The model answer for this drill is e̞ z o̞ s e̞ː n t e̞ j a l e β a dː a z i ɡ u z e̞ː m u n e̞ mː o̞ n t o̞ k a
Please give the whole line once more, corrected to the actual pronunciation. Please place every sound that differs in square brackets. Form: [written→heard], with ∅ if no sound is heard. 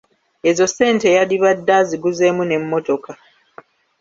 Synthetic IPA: e̞ z o̞ s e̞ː n t e̞ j a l [e→i] β a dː a z i ɡ u z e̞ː m u n e̞ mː o̞ [n→∅] t o̞ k a